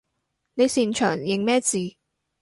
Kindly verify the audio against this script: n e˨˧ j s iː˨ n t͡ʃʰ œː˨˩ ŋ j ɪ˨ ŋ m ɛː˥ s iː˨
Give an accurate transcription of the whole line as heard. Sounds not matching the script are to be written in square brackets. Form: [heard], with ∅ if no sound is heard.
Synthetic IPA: n e˨˧ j s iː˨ n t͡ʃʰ œː˨˩ ŋ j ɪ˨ ŋ m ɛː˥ [t͡s] iː˨